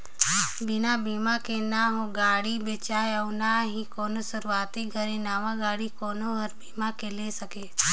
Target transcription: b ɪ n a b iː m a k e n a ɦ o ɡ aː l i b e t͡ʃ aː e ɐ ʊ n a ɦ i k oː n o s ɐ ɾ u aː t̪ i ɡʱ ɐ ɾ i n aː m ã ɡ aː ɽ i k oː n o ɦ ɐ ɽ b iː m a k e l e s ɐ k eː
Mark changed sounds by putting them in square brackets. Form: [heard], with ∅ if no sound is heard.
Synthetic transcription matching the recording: b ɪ n a b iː m a k e n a ɦ o ɡ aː [ɽ] i b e t͡ʃ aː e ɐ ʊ n a ɦ i k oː n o s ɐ ɾ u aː t̪ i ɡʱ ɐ ɾ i n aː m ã ɡ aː ɽ i k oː n o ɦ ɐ [ɾ] b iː m a k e l e s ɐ k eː